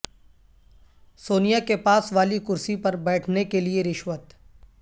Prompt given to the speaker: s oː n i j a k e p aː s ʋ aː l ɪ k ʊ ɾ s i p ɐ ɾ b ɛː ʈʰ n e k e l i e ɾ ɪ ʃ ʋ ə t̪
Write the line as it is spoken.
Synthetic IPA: s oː n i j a k e p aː s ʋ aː l i k ʊ ɾ s i p ɐ ɾ b ɛː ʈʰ n e k e l i e ɾ ɪ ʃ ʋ ə t̪